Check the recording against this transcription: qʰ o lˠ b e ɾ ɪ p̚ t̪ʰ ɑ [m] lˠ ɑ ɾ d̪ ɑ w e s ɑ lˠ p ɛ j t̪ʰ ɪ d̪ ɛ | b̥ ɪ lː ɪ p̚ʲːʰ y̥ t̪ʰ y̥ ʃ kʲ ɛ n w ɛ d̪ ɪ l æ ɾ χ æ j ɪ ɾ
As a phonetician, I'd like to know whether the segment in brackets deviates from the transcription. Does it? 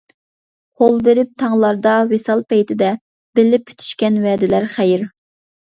yes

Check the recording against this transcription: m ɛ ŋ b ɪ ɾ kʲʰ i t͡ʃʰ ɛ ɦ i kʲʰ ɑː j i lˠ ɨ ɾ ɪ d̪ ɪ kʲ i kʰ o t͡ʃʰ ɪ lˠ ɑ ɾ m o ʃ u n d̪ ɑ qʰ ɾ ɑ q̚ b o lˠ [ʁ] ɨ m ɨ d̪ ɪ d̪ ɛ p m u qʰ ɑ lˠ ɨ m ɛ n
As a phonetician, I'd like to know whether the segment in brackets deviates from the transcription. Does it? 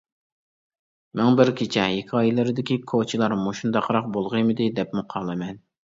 no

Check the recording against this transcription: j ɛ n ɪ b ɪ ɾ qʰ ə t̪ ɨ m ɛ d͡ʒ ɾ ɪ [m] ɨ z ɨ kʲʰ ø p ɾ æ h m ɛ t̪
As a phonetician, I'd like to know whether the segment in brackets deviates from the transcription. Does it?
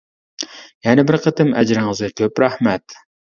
yes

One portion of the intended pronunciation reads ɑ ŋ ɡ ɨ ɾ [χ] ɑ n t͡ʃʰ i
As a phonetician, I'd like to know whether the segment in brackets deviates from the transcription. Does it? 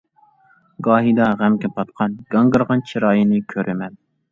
yes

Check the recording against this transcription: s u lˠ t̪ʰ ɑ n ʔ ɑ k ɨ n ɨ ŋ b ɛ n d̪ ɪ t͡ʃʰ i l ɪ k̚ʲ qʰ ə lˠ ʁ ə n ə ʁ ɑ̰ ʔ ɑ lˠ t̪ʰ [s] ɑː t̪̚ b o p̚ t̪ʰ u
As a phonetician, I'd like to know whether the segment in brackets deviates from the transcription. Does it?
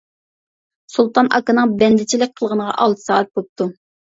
no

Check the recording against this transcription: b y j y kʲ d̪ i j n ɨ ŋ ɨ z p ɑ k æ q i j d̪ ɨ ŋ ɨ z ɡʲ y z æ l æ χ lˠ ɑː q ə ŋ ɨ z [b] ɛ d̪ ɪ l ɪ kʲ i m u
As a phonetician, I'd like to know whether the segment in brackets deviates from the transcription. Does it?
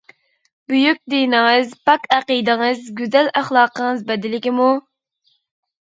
no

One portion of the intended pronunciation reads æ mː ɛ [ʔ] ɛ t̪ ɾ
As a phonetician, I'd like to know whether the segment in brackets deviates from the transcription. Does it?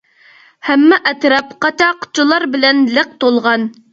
no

